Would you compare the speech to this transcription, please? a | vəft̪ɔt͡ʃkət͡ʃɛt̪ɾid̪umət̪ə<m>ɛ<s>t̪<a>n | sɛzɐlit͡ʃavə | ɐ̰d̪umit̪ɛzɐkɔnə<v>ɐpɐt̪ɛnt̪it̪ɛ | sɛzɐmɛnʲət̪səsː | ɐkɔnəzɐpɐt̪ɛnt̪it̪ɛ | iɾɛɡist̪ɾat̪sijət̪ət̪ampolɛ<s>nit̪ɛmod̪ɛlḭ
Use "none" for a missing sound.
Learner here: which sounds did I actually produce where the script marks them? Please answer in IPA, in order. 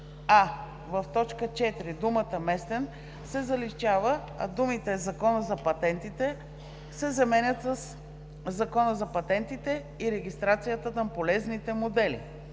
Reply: m, s, ɛ, z, z

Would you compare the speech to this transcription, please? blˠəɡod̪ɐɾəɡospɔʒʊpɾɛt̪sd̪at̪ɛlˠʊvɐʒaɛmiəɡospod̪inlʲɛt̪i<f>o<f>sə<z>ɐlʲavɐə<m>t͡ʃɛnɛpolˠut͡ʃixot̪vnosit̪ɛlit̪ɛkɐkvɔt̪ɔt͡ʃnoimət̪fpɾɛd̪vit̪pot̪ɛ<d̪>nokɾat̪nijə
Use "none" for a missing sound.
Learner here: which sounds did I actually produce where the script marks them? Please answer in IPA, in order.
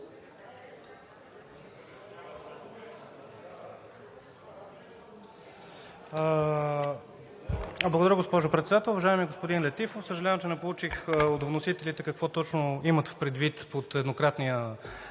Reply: f, f, ʒ, m, d̪

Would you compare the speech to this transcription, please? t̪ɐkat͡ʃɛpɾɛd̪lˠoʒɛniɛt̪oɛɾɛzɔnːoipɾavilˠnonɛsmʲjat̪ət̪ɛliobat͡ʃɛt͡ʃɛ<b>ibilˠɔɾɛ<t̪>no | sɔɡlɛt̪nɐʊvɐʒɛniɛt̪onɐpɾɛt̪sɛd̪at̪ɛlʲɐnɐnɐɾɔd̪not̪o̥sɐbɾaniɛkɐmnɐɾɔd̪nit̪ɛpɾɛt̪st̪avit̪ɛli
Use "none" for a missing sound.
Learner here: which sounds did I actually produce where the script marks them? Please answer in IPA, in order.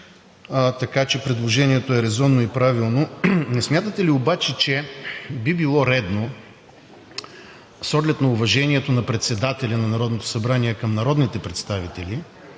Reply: b, d̪

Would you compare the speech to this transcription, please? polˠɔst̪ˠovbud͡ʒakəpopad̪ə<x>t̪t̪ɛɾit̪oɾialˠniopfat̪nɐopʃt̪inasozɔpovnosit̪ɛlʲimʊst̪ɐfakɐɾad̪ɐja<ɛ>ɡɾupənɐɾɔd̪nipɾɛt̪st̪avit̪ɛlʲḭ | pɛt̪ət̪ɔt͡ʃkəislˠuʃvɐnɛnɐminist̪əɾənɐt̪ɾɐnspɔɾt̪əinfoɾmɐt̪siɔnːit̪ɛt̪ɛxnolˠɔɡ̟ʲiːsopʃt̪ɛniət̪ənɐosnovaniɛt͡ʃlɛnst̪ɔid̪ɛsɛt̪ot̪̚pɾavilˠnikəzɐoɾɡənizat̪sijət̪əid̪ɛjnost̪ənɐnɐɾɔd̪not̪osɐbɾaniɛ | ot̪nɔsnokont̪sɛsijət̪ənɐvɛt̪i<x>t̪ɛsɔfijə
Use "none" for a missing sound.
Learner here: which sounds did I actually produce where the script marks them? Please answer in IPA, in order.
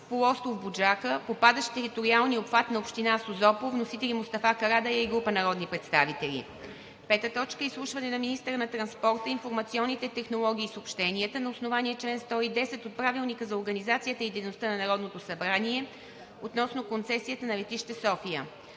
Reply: ʃ, i, ʃ

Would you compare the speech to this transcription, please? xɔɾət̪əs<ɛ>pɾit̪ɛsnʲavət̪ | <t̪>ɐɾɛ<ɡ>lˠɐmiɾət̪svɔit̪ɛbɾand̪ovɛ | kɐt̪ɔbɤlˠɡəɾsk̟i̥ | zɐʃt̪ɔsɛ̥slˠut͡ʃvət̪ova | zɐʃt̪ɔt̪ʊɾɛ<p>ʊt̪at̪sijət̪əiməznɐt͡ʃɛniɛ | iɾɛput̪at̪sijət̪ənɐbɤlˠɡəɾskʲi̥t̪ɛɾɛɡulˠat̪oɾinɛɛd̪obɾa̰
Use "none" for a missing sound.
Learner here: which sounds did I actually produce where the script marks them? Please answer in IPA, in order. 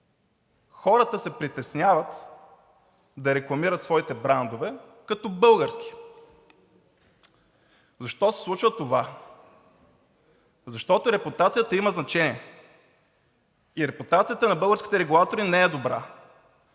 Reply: ɛ, d̪, k, p

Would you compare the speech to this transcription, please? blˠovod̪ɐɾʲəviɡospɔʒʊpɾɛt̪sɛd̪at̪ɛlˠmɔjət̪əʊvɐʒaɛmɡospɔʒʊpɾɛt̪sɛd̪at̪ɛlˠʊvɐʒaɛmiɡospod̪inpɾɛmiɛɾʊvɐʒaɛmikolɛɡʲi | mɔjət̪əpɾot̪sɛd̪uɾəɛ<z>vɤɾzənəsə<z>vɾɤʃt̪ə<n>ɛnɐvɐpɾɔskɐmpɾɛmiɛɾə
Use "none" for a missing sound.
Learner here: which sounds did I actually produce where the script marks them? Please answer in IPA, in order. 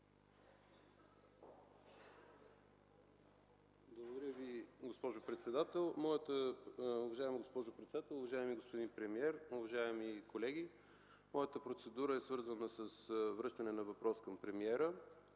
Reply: s, s, n

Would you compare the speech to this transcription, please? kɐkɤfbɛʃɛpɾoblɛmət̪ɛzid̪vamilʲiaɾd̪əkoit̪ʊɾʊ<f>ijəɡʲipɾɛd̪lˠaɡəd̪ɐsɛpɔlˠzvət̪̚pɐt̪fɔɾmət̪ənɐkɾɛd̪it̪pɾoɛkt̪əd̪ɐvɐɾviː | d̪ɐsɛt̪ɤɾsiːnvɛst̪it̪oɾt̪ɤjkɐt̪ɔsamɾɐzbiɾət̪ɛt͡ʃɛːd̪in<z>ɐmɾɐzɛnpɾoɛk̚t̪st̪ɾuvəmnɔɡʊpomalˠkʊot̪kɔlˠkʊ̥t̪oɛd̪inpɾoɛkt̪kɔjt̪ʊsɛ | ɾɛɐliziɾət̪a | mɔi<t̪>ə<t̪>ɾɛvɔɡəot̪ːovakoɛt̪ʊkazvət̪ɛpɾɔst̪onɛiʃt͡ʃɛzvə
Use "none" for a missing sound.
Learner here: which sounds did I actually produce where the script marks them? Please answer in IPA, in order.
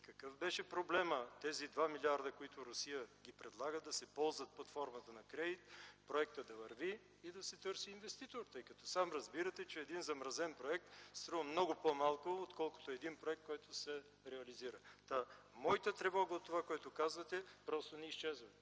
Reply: s, z, t̪, t̪

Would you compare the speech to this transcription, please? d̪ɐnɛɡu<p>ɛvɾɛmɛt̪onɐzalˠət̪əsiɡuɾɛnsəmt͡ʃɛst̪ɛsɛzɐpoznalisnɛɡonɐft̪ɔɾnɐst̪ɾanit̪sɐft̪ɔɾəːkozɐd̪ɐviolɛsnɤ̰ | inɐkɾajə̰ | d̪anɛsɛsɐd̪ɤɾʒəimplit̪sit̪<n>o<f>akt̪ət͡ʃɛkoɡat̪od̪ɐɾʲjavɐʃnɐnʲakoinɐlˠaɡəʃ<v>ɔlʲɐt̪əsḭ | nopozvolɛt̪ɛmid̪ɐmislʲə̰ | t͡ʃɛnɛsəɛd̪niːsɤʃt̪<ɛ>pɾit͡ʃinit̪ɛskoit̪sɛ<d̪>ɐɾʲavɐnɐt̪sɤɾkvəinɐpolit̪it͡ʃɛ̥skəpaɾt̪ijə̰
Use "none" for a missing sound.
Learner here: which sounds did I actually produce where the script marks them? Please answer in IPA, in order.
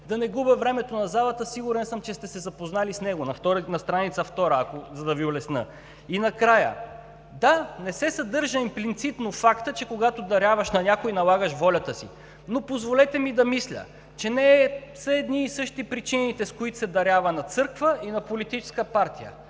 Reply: b, n, f, v, i, d̪

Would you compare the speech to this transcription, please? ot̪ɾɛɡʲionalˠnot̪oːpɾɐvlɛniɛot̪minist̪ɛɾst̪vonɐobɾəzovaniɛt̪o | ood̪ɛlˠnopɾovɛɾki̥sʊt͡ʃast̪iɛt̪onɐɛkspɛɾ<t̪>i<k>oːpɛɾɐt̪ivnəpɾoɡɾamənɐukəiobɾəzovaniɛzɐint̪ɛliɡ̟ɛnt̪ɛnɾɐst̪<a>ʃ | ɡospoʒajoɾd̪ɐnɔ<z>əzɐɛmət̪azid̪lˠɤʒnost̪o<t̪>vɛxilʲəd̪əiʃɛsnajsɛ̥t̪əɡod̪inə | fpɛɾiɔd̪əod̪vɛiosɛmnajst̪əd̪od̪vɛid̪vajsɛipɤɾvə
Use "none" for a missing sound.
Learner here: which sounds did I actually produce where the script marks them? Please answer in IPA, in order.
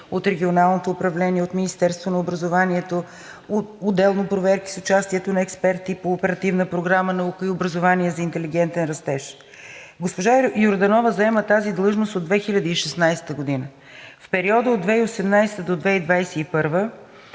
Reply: t̪, p, ɛ, v, d̪

